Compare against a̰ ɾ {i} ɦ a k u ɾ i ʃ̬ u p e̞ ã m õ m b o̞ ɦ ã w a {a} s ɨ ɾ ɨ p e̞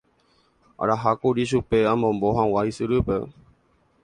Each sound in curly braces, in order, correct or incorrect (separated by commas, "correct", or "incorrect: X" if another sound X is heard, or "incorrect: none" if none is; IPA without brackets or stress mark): incorrect: a, incorrect: i